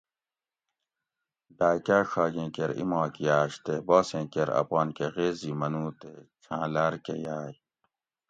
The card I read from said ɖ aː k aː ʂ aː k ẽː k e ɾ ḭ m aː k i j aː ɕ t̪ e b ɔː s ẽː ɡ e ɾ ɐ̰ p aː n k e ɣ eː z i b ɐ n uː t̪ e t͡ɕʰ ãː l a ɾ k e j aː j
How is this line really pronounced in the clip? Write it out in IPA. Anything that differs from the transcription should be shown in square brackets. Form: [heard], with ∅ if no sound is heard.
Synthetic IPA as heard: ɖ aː k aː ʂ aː [ɡ] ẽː k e ɾ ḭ m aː k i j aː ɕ t̪ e b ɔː s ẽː [k] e ɾ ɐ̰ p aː n k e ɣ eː z i [m] ɐ n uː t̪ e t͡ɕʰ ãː l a ɾ k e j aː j